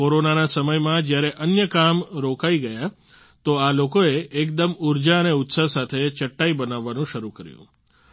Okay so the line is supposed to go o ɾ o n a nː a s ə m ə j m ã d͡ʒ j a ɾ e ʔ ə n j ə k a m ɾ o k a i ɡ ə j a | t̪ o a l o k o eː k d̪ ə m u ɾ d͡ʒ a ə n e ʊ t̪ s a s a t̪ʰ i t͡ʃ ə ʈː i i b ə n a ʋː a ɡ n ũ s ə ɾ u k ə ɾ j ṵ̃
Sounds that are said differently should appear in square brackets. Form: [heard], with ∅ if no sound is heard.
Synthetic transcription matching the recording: o ɾ o n a [n] a s ə m ə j m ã d͡ʒ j a ɾ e ʔ ə n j ə k a m ɾ o k a i ɡ ə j a | t̪ o a l o k o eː k d̪ ə m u ɾ d͡ʒ a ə n e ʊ t̪ s a s a t̪ʰ [e] t͡ʃ ə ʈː [a] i b ə n a ʋː a [∅] n ũ [ʃ] ə ɾ u k ə ɾ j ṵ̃